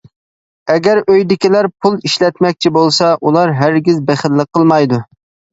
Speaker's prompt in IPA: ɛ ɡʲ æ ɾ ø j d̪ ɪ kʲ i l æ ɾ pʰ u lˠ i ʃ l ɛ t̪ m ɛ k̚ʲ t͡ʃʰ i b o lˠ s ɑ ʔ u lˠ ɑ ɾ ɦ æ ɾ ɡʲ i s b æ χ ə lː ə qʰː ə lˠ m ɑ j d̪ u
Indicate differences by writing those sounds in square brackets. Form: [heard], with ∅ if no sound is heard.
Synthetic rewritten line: ɛ ɡʲ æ ɾ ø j d̪ ɪ kʲ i l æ ɾ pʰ u lˠ i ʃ l ɛ t̪ m ɛ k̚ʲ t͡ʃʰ i b o lˠ s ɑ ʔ u lˠ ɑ ɾ ɦ æ ɾ ɡʲ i [z] b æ χ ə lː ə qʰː ə lˠ m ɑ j d̪ u

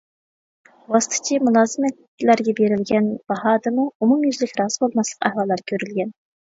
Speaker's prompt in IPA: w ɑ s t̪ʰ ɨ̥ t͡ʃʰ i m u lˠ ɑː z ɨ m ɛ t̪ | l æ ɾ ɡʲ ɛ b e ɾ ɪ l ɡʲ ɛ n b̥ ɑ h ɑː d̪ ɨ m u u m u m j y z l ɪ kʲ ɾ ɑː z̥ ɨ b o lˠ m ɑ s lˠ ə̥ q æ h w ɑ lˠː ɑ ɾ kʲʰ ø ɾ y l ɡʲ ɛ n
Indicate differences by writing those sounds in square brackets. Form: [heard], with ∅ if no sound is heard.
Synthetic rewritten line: w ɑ s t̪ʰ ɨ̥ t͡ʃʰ i m u lˠ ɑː z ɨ m ɛ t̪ | l æ ɾ ɡʲ ɛ b e ɾ ɪ l ɡʲ ɛ n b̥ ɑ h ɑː d̪ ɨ m u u m u m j y z l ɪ kʲ ɾ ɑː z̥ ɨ b o lˠ m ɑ s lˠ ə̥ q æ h w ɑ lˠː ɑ ɾ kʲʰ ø ɾ y l ɡʲ ɛ n

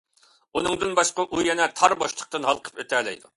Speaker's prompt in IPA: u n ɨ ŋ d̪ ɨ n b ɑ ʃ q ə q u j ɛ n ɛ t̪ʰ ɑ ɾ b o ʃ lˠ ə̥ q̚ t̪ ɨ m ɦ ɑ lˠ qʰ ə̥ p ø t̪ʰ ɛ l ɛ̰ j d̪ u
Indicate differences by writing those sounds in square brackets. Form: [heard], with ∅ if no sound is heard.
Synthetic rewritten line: u n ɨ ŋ d̪ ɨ n b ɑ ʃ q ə [ʔ] u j ɛ n ɛ t̪ʰ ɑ ɾ b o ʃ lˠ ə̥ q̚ t̪ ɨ [n] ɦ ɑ lˠ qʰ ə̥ p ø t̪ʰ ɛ l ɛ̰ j d̪ u

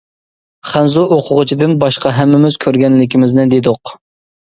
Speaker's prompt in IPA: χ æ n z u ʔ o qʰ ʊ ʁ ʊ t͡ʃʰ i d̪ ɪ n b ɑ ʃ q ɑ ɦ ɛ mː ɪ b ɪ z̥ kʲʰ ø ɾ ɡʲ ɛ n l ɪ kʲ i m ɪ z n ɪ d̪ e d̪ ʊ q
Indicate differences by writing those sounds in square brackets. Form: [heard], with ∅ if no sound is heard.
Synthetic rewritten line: χ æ n z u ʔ o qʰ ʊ ʁ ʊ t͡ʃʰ i d̪ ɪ n b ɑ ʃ q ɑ ɦ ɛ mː ɪ [m] ɪ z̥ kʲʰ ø ɾ ɡʲ ɛ n l ɪ kʲ i m ɪ z n ɪ d̪ e d̪ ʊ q

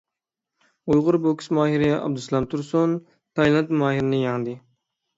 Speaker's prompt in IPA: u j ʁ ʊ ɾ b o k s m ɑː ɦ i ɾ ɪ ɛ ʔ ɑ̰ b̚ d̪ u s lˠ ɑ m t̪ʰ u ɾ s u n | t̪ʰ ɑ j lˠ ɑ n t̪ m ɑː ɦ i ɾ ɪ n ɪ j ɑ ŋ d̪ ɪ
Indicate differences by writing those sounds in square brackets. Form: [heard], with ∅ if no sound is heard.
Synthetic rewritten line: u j ʁ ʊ ɾ b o k s m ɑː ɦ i ɾ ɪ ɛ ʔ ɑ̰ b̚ d̪ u s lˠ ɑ m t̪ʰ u ɾ s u n | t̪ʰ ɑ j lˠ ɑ n t̪ m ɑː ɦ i ɾ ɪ n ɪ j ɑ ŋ d̪ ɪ

